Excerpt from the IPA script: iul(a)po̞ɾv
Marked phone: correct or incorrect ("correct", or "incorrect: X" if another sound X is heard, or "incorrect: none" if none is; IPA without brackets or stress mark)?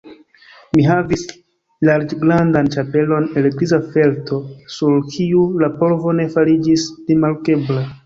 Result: correct